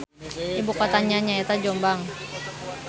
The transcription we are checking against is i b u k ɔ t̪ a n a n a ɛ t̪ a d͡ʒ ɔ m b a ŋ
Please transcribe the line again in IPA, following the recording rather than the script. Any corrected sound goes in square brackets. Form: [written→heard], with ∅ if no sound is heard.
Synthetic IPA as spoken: i b u k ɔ t̪ a [n→ɲ] a [n→ɲ] a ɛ t̪ a d͡ʒ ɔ m b a ŋ